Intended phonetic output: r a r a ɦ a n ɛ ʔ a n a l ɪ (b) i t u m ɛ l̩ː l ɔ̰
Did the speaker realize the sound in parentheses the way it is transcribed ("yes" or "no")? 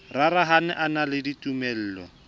no